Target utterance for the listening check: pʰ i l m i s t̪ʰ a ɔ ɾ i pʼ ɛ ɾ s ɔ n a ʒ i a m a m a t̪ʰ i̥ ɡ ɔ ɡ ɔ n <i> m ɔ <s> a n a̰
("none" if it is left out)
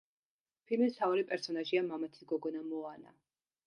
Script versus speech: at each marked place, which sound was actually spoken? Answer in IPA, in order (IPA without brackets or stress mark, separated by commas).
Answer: a, none